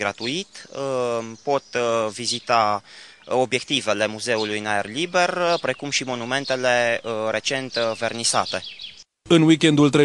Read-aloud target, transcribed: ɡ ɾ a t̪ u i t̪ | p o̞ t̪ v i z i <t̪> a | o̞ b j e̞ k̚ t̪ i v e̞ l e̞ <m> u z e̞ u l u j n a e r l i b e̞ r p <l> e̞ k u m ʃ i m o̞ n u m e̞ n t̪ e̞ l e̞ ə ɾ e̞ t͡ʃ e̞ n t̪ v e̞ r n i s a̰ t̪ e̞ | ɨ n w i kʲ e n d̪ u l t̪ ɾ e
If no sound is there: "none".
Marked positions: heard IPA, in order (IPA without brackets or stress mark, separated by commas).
t̪, m, ɾ